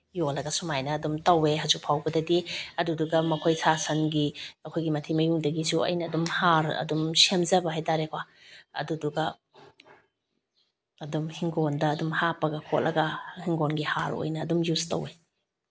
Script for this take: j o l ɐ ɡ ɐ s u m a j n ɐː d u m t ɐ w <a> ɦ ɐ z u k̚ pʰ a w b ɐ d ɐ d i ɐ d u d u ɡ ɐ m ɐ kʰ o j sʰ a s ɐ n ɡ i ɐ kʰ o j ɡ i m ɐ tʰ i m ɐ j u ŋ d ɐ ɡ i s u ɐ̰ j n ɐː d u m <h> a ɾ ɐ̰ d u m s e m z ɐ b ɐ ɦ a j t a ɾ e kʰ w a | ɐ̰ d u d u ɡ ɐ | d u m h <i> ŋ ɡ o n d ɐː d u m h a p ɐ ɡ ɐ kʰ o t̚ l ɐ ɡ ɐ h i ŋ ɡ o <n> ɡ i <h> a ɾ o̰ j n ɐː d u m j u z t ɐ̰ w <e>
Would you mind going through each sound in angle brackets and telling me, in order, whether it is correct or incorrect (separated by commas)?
incorrect, correct, correct, correct, correct, correct